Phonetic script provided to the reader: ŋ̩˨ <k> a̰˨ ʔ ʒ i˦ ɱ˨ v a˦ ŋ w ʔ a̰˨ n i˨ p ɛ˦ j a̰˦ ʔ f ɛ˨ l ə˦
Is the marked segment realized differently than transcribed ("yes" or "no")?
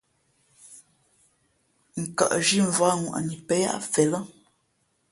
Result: no